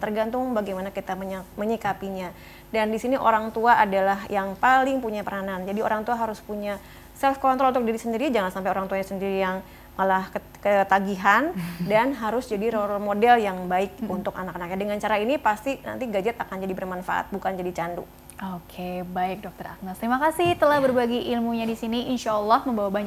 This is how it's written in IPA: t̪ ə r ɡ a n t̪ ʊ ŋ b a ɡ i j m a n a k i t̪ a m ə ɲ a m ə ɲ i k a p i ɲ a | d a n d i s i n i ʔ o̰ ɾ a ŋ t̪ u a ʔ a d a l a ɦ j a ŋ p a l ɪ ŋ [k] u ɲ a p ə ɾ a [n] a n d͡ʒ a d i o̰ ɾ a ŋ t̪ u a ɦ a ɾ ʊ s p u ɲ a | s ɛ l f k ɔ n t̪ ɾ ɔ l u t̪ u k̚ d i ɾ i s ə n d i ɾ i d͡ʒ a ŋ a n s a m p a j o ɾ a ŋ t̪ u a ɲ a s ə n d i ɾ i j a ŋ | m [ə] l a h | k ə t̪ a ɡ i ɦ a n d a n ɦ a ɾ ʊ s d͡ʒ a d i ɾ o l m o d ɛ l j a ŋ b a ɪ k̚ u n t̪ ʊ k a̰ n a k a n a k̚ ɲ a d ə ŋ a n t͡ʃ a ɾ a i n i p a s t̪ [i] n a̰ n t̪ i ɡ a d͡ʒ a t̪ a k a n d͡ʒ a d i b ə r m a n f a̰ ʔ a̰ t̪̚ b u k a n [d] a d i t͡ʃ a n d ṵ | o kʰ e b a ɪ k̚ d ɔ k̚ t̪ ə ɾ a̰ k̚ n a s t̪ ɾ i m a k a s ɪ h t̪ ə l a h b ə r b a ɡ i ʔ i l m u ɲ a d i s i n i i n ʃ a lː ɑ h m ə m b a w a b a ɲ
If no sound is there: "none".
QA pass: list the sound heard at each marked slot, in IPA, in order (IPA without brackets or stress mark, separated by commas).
p, n, a, i, d͡ʒ